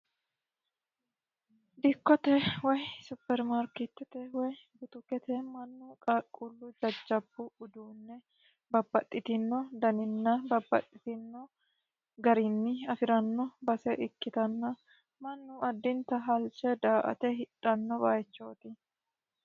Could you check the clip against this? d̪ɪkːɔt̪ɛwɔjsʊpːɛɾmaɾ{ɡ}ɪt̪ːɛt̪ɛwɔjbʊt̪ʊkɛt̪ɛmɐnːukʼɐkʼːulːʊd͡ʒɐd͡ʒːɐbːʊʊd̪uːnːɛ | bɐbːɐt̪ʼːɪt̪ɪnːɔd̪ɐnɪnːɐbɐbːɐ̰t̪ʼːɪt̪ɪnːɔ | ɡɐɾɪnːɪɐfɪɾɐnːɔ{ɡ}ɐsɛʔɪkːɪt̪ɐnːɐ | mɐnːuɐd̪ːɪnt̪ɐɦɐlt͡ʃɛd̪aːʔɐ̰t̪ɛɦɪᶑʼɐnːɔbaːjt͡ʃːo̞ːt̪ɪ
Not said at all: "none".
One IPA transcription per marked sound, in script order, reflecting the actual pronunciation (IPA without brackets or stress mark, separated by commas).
k, b